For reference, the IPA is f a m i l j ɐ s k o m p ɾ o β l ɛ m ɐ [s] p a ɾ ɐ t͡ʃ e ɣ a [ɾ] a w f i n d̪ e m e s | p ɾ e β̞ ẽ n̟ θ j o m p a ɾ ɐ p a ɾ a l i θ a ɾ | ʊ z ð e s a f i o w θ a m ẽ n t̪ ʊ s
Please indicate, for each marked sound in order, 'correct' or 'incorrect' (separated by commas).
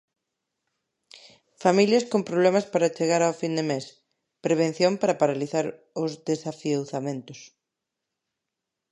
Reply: correct, correct